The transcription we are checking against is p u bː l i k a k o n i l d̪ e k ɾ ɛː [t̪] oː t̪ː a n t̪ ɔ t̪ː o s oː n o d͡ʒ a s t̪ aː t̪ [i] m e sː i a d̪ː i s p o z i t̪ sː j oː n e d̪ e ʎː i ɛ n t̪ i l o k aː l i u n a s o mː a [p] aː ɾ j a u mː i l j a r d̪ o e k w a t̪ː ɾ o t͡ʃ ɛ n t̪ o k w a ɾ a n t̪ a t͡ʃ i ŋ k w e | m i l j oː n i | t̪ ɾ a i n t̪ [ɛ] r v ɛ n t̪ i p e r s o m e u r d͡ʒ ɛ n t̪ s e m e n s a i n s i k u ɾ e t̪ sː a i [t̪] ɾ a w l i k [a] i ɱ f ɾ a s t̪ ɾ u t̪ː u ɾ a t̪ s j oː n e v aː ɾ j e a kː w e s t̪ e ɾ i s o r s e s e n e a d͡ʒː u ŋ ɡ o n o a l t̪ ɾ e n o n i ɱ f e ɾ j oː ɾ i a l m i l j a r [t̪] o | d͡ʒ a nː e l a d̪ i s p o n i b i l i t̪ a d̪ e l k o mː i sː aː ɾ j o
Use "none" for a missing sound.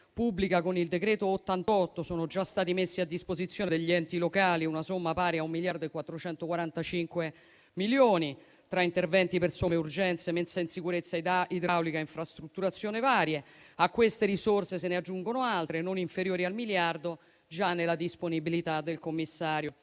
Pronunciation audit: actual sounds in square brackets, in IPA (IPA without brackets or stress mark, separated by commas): t̪, i, p, e, d̪, a, d̪